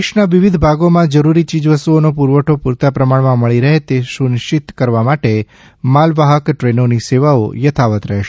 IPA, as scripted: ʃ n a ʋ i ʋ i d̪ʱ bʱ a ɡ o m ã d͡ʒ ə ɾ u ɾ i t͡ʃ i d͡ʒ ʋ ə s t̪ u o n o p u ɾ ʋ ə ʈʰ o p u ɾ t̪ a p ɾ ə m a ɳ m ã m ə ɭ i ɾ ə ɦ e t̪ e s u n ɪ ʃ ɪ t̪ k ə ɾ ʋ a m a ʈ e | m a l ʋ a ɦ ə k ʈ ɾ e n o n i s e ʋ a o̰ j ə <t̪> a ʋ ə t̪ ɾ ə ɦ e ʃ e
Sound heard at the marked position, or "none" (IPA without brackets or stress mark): t̪ʰ